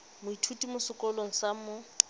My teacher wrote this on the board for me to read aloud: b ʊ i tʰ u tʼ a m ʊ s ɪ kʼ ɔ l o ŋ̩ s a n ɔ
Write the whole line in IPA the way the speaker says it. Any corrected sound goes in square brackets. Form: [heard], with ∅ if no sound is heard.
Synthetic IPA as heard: [m] ʊ i tʰ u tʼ [i] m ʊ s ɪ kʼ ɔ l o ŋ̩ s a [m] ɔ

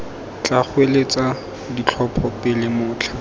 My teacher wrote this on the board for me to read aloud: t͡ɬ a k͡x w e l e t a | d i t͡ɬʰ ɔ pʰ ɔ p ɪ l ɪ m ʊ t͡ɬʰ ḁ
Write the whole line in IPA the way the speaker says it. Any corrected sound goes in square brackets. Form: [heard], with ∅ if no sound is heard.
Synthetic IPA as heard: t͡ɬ a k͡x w e l e [t͡s] a | d i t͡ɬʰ ɔ pʰ ɔ p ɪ l ɪ m [ʊː] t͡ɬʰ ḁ

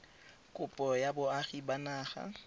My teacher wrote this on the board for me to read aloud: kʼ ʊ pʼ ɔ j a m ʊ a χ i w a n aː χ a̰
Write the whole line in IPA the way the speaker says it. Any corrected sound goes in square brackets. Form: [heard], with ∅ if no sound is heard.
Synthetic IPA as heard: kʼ ʊ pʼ ɔ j a [b] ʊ a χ i [b] a n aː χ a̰

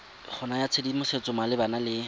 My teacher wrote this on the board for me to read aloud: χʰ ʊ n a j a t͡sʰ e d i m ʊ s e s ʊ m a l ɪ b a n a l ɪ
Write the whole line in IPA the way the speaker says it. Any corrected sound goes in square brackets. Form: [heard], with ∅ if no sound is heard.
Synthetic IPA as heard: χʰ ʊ n a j a t͡sʰ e d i m ʊ s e [t͡s] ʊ m a l ɪ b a n a l ɪ

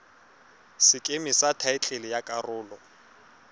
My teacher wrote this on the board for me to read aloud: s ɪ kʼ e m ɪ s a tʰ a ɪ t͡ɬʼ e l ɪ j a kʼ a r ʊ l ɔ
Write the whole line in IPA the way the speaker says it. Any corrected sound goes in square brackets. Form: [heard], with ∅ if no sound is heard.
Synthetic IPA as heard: s ɪ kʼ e m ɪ s a tʰ a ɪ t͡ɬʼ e l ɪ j a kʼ a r [ʊː] l ɔ

